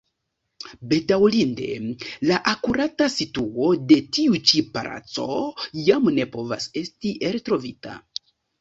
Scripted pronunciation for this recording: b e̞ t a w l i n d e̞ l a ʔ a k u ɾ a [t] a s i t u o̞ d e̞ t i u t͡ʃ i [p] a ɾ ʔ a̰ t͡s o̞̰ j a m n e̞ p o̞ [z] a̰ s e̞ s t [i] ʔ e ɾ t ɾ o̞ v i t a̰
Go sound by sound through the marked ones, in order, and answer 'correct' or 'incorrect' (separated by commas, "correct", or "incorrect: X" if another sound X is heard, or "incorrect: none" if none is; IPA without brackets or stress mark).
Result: correct, correct, incorrect: v, correct